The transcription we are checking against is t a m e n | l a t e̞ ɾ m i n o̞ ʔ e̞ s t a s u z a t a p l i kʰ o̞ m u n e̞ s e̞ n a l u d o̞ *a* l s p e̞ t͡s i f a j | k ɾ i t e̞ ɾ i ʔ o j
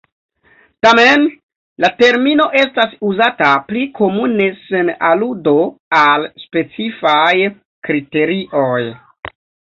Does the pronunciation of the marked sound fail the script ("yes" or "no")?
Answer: no